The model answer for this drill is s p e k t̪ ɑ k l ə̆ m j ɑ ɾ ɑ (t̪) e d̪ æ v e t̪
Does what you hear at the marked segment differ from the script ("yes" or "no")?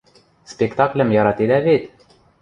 no